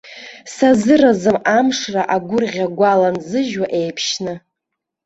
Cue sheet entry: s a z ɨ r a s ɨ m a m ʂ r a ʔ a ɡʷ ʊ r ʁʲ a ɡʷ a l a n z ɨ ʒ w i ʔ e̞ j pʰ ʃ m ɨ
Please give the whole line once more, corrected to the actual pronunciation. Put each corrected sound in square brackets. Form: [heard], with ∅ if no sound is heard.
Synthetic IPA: s a z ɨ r a [z] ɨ m a m ʂ r a ʔ a ɡʷ ʊ r ʁʲ a ɡʷ a l a n z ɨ ʒ w [a] ʔ e̞ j pʰ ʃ [n] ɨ